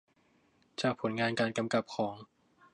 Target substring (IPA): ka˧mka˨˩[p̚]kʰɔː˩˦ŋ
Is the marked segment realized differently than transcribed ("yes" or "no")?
no